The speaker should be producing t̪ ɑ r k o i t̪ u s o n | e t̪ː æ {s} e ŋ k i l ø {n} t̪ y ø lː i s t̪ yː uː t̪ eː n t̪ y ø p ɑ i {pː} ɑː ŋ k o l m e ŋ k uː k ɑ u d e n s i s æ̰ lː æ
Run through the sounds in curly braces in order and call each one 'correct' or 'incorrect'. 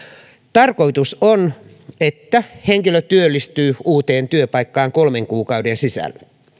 incorrect, incorrect, incorrect

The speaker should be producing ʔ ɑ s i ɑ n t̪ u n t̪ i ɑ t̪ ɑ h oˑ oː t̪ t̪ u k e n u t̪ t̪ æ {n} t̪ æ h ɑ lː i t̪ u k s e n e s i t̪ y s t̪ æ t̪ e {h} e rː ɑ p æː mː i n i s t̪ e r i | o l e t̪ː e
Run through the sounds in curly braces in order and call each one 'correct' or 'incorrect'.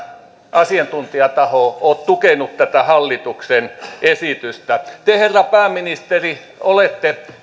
incorrect, correct

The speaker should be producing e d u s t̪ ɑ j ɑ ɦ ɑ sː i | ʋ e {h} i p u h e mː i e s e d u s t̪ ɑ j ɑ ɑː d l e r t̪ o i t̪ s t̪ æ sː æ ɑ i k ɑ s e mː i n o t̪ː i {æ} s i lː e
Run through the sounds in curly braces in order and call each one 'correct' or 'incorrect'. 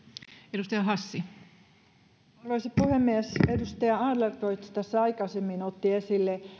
incorrect, incorrect

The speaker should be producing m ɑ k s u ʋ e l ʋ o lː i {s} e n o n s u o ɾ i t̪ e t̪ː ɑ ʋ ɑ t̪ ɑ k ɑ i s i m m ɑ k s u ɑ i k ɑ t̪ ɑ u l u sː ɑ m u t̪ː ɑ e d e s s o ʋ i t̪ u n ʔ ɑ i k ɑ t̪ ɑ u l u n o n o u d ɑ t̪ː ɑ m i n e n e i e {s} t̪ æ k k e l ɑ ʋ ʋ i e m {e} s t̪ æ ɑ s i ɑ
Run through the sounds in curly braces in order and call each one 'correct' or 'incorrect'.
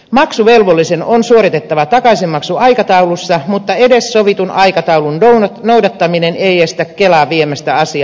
correct, correct, incorrect

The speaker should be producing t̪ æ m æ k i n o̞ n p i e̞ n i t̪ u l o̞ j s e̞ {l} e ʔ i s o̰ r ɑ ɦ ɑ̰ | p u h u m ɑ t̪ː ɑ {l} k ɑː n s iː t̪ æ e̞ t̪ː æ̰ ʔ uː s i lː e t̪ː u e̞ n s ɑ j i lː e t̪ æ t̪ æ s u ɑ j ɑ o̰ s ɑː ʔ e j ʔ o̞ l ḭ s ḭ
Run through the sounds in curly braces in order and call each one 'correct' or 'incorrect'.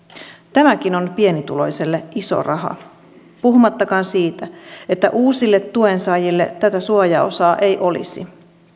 incorrect, incorrect

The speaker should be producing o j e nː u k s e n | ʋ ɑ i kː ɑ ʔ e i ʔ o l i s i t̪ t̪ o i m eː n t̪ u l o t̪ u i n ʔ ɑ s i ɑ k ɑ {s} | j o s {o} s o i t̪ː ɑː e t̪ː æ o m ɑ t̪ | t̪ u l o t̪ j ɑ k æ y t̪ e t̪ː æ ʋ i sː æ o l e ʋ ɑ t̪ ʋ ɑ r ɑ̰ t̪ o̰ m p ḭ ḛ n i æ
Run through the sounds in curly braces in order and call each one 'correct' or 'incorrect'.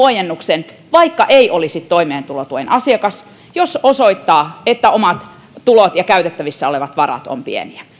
correct, correct

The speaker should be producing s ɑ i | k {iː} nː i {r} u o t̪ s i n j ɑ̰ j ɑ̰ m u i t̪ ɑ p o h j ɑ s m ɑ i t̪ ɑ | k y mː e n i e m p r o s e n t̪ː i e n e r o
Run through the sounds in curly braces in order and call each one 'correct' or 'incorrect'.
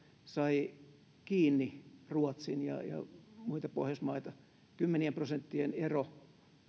correct, correct

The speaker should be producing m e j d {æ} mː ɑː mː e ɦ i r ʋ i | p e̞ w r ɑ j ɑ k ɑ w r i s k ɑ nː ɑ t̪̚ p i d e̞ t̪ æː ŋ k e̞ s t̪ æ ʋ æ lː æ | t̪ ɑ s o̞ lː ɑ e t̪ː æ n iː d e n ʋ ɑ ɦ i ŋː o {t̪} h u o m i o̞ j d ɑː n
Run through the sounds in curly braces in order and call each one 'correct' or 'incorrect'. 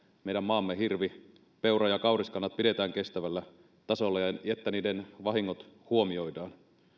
correct, correct

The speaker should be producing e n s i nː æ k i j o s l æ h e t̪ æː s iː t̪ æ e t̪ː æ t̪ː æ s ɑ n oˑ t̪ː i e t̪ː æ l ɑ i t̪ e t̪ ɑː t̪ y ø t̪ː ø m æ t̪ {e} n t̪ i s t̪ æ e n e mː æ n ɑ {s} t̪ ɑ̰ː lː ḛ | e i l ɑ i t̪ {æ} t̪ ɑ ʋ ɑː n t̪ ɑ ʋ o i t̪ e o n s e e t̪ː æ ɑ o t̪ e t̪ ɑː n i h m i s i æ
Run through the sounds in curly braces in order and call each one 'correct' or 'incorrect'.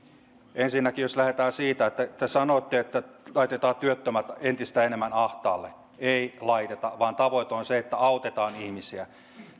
correct, incorrect, incorrect

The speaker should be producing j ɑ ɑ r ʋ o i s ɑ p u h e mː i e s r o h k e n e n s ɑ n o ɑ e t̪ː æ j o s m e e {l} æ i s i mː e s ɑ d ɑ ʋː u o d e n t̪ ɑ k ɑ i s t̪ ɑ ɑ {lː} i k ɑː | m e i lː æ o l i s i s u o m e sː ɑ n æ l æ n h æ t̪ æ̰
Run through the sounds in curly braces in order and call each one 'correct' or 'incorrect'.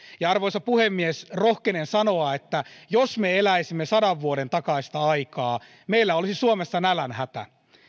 correct, incorrect

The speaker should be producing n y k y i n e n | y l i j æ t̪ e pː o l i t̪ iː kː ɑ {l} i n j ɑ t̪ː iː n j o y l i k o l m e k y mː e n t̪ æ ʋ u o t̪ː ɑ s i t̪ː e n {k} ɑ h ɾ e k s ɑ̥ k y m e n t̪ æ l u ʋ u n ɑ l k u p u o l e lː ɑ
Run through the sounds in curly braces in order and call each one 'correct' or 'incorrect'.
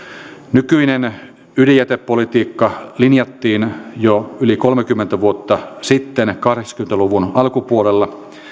correct, correct

